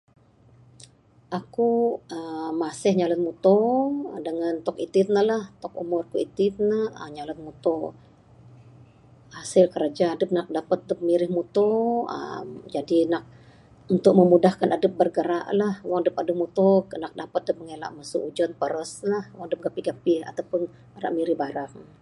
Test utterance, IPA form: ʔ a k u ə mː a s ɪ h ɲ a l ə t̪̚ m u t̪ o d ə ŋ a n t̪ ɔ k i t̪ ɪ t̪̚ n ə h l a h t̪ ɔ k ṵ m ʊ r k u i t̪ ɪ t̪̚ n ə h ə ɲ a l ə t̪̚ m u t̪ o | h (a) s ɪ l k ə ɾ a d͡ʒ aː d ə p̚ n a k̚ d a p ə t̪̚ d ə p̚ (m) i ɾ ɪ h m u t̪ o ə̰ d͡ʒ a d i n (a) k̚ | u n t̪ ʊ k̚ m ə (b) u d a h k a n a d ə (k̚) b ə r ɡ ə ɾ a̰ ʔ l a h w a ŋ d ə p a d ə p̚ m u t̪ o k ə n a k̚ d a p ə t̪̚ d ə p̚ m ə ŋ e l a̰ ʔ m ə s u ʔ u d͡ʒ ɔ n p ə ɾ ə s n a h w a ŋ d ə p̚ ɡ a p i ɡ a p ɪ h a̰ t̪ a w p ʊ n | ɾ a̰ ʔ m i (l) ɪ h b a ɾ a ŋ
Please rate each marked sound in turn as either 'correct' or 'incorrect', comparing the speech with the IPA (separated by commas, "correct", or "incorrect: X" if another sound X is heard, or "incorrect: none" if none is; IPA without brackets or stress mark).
correct, correct, correct, incorrect: m, incorrect: p̚, incorrect: ɾ